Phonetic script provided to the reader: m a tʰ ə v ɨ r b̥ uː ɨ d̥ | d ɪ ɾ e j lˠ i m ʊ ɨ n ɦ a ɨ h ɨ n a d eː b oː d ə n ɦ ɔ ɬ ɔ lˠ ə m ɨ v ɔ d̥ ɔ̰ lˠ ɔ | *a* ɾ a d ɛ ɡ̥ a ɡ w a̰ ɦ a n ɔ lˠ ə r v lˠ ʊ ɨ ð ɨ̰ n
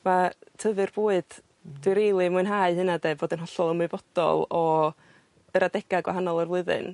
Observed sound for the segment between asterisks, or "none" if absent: ə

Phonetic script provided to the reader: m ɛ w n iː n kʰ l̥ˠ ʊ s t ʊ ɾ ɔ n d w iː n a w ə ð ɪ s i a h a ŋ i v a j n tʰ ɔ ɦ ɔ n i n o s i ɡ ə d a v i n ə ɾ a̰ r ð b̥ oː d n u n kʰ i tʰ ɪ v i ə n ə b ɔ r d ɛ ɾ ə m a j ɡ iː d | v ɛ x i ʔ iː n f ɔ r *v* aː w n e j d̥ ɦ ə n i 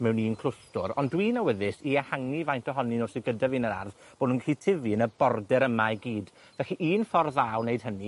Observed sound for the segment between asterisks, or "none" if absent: ð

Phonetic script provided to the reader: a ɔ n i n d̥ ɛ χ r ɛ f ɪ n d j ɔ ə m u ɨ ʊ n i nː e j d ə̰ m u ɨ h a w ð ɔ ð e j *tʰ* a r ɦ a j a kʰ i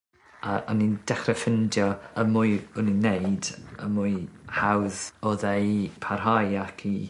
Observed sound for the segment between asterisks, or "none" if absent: pʰ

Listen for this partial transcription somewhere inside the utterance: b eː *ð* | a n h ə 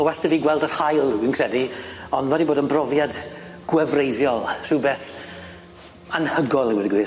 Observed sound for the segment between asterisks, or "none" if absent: θ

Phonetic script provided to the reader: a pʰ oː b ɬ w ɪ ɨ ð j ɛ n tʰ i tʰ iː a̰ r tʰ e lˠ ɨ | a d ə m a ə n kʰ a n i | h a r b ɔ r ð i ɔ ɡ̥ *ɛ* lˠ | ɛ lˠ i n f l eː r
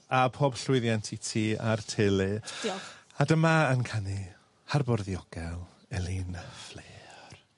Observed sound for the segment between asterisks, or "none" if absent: ɛ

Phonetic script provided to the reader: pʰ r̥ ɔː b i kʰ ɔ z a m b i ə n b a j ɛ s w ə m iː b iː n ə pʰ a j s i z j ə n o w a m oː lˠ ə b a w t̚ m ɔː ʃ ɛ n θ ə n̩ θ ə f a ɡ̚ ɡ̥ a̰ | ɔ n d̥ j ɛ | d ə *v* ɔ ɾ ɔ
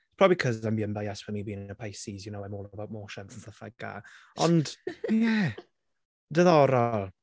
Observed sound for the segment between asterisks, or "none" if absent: ð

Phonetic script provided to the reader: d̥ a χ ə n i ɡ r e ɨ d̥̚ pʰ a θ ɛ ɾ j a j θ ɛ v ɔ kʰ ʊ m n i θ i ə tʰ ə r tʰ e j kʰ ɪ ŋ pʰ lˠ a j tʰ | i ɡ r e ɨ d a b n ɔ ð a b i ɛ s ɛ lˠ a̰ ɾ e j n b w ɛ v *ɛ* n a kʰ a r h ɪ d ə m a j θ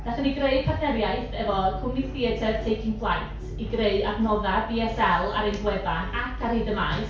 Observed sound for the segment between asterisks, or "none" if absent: a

